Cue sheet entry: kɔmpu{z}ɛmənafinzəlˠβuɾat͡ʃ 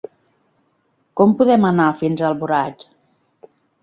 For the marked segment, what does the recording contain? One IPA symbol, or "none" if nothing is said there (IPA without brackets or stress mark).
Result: ð